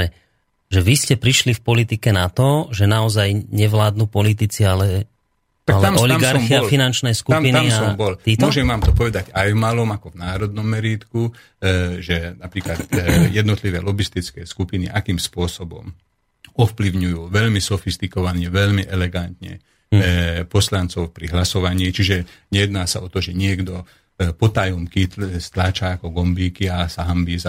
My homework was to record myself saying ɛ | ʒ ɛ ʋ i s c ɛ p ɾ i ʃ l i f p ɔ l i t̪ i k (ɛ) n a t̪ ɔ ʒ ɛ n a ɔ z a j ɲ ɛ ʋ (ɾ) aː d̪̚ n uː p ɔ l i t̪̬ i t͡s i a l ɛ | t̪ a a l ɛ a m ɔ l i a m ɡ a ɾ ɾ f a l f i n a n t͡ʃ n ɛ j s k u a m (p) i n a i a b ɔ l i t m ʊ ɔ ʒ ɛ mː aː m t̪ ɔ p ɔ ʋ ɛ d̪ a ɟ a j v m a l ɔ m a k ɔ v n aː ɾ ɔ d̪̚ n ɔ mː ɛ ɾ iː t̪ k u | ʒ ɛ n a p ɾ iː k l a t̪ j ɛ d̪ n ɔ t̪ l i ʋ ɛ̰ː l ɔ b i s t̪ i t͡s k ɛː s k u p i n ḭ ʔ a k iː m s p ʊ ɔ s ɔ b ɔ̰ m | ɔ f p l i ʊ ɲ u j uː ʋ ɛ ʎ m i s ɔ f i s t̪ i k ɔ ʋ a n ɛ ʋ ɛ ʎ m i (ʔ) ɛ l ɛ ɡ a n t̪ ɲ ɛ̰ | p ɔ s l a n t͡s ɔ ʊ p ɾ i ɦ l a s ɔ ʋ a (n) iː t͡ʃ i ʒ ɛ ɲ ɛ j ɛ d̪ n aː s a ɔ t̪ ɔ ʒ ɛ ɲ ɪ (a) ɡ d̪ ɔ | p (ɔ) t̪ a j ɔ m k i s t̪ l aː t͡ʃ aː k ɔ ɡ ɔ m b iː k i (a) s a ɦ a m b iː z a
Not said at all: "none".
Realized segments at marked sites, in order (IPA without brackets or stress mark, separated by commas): ɛ, l, p, ʔ, ɲ, ɛ, ɔ, a